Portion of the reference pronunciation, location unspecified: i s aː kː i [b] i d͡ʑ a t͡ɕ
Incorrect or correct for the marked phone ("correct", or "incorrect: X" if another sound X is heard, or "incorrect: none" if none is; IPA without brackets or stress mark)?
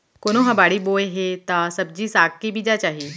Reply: correct